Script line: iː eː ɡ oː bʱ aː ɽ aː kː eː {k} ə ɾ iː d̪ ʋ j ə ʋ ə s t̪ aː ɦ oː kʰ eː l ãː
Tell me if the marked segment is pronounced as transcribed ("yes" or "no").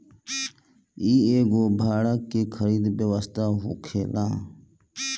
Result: no